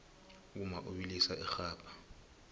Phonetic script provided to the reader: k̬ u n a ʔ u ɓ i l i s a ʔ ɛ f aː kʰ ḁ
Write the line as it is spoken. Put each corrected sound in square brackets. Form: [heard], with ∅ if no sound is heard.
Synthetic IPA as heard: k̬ u [m] a ʔ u ɓ i l i s a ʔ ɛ [x] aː [pʰ] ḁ